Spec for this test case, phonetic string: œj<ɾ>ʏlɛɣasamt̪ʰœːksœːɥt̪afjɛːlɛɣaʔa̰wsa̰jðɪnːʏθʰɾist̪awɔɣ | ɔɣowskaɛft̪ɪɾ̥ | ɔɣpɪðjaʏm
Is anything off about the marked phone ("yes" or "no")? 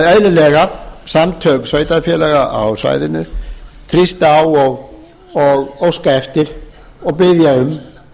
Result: yes